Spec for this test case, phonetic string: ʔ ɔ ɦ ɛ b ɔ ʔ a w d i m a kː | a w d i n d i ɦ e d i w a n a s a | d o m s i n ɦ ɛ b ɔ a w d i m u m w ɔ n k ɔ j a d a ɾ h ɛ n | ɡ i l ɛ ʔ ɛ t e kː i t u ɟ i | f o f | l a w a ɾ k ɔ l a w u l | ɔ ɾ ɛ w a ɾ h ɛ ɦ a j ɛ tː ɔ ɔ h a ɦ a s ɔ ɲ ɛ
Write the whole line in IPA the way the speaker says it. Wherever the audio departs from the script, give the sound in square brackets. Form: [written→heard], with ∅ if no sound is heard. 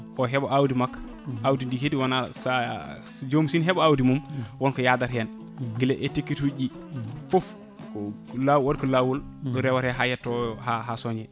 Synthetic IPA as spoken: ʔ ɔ ɦ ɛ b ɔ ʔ a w d i m a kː | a w d i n d i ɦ e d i w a n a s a | [d→d͡ʒ] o m s i n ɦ ɛ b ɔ a w d i m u m w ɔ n k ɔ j a d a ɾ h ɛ n | ɡ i l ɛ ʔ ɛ t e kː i t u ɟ i | f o f | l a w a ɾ k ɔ l a w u l | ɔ ɾ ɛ w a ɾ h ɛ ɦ a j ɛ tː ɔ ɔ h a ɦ a s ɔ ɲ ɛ